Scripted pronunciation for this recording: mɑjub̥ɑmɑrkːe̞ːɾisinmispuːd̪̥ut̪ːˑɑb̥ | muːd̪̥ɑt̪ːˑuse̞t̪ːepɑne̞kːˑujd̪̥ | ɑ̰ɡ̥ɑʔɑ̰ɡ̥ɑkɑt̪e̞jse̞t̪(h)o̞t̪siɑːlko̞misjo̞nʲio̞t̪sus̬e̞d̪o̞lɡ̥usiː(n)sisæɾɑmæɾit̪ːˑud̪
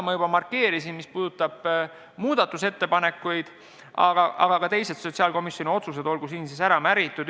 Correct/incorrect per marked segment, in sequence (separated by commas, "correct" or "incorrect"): incorrect, correct